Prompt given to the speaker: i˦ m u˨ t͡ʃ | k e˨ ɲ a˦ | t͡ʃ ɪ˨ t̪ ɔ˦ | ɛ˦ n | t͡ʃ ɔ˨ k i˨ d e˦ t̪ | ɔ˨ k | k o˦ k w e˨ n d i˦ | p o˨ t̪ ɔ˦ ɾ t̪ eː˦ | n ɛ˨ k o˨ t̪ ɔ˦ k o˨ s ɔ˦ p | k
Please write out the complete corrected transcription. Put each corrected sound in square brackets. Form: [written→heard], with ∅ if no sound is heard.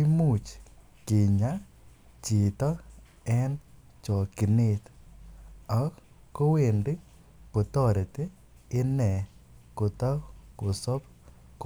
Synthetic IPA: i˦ m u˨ t͡ʃ | k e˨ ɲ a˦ | t͡ʃ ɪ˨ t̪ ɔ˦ | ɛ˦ n | t͡ʃ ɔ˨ k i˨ [d→n] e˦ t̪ | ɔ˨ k | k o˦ [k→∅] w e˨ n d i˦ | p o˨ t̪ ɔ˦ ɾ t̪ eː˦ | n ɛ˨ k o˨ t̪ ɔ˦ k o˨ s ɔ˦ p | k